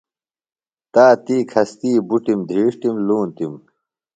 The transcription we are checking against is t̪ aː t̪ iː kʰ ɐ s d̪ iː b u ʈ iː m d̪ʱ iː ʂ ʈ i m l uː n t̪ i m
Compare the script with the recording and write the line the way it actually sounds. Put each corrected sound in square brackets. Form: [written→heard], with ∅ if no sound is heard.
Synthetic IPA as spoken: t̪ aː t̪ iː kʰ ɐ s [d̪→t̪] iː b u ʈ [iː→i] m d̪ʱ iː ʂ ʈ i m l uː n t̪ i m